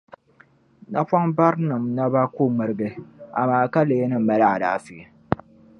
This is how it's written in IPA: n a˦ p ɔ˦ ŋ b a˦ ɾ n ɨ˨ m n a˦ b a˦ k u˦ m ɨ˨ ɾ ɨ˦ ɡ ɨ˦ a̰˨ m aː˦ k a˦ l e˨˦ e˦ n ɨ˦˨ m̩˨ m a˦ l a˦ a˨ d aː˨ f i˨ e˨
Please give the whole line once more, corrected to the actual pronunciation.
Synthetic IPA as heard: n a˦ p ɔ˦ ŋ b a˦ ɾ n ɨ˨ m n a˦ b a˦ k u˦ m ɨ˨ ɾ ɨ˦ ɡ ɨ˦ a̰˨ m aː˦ k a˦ l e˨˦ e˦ n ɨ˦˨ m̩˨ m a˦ l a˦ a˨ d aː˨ f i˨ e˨